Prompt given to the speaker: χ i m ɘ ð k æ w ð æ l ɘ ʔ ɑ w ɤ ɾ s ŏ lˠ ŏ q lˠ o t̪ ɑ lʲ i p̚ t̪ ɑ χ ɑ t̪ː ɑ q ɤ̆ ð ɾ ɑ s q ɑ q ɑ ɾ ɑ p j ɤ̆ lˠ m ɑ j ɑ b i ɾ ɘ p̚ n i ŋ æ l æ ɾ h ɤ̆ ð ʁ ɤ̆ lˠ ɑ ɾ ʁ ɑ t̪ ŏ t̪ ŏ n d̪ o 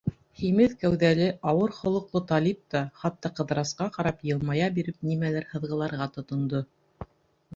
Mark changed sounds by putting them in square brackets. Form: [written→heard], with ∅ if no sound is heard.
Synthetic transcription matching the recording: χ i m ɘ ð k æ w ð æ l ɘ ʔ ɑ w ɤ ɾ [s→χ] ŏ lˠ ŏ q lˠ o t̪ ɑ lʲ i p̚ t̪ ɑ χ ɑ t̪ː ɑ q ɤ̆ ð ɾ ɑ s q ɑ q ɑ ɾ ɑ p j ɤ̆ lˠ m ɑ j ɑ b i ɾ ɘ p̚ n i [ŋ→m] æ l æ ɾ h ɤ̆ ð ʁ ɤ̆ lˠ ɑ ɾ ʁ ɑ t̪ ŏ t̪ ŏ n d̪ o

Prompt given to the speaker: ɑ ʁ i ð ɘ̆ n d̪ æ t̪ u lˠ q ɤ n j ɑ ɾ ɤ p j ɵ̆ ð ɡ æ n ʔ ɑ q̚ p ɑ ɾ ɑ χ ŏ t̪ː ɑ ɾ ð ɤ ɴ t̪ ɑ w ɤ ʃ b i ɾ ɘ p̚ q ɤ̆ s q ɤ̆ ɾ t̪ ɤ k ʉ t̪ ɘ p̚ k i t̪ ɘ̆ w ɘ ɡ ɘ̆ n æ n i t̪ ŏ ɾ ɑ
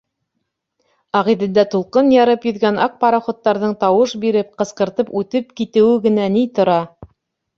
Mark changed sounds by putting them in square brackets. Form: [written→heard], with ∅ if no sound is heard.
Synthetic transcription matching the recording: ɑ ʁ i ð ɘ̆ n d̪ æ t̪ u lˠ q ɤ n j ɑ ɾ ɤ p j ɵ̆ ð ɡ æ n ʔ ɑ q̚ p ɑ ɾ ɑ χ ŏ t̪ː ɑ ɾ ð ɤ ɴ t̪ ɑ w ɤ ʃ b i ɾ ɘ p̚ q ɤ̆ s q ɤ̆ ɾ t̪ ɤ [k→p] ʉ t̪ ɘ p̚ k i t̪ ɘ̆ w ɘ ɡ ɘ̆ n æ n i t̪ ŏ ɾ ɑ

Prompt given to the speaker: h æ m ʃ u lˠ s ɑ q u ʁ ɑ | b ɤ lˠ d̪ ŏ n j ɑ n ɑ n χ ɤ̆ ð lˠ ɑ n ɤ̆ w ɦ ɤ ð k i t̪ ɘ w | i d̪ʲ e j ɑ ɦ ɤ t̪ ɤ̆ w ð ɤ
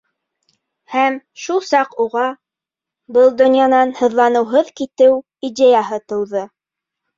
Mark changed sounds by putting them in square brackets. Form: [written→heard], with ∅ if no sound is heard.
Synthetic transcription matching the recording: h æ m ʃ u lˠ s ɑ q u ʁ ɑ | b ɤ lˠ d̪ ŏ n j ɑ n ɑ n [χ→h] ɤ̆ ð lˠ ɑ n ɤ̆ w ɦ ɤ ð k i t̪ ɘ w | i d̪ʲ e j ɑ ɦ ɤ t̪ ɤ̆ w ð ɤ

